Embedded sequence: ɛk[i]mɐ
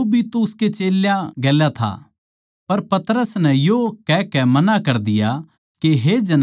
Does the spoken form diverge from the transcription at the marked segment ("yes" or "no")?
yes